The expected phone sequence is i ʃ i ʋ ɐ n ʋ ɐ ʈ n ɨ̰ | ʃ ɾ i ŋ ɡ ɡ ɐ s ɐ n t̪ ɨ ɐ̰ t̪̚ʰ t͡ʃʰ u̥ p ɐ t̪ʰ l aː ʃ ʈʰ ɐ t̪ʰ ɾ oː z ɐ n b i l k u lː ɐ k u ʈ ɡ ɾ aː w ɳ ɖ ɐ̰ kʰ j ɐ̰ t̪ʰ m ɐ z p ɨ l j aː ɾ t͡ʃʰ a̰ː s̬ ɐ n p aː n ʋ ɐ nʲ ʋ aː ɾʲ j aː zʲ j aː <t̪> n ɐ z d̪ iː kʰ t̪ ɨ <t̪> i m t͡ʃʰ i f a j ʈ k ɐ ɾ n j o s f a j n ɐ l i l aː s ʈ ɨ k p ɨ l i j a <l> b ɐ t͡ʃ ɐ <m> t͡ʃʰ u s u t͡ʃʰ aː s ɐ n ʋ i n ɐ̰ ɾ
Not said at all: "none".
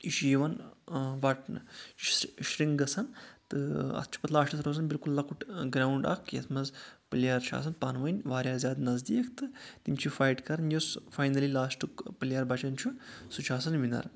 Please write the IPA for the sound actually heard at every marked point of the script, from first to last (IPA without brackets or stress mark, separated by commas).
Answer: d̪, t̪, ɾ, n